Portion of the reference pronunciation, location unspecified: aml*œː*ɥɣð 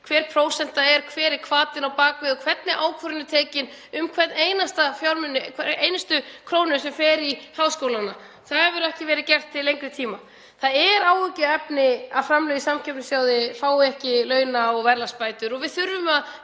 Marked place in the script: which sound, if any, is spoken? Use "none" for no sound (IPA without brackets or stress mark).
œ